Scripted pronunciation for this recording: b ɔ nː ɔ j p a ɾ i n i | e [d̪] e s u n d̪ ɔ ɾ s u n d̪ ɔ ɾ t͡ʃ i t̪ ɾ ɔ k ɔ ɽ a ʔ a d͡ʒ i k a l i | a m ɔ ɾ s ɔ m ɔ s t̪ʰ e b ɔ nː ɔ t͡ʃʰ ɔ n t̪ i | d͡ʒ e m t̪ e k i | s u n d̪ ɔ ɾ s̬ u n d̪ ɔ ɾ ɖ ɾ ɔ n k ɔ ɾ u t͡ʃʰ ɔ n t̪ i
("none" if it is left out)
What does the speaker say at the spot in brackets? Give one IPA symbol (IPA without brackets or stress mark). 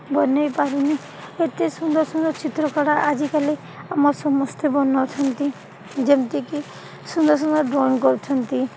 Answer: t̪